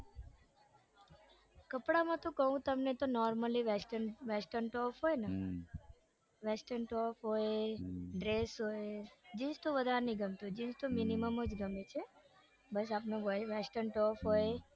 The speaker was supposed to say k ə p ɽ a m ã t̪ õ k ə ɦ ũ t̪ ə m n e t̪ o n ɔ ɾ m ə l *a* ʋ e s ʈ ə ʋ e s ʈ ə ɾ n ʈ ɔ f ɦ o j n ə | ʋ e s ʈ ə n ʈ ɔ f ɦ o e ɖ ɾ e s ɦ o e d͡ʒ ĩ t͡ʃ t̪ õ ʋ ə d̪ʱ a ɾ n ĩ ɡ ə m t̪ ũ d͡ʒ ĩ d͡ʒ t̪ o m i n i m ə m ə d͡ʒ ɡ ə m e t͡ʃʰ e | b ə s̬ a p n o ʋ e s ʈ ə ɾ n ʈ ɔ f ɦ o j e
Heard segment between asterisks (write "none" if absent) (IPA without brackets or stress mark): i